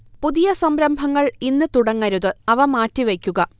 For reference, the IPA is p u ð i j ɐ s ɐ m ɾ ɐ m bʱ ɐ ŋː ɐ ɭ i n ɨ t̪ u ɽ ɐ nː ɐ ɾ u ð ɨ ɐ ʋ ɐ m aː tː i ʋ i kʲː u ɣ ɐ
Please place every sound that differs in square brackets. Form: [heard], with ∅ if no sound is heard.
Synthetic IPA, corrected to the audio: p u ð i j ɐ s ɐ m ɾ ɐ m bʱ ɐ ŋː ɐ ɭ i [nː] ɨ t̪ u ɽ ɐ [ŋː] ɐ ɾ u ð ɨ ɐ ʋ ɐ m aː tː i ʋ [e] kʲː u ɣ ɐ